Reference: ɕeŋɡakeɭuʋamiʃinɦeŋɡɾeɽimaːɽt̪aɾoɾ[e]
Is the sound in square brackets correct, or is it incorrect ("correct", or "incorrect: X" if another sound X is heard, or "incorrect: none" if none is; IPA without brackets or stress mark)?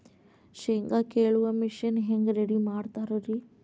incorrect: i